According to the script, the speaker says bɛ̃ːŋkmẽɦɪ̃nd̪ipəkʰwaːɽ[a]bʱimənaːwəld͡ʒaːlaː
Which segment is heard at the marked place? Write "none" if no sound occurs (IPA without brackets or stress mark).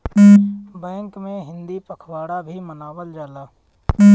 a